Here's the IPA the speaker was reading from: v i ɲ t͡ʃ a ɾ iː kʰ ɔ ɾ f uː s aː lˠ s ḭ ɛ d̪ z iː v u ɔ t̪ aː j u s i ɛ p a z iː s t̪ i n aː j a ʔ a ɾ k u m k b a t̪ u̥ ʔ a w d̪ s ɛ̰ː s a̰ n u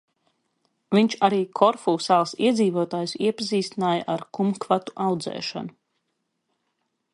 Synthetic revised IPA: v i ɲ t͡ʃ a ɾ iː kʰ ɔ ɾ f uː s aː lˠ s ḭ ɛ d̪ z iː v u ɔ t̪ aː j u s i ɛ p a z iː s t̪ i n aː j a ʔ a ɾ k u m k v a t̪ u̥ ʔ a w d̪ z ɛ̰ː ʃ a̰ n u

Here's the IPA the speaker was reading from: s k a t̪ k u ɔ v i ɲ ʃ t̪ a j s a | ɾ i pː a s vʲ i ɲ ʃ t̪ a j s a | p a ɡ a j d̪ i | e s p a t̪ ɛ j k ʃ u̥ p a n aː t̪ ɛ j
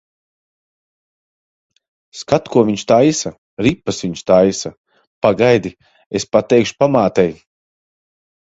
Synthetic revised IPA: s k a t̪ k u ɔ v i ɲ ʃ t̪ a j s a | ɾ i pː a s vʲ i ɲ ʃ t̪ a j s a | p a ɡ a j d̪ i | e s p a t̪ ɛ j k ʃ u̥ p a m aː t̪ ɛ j

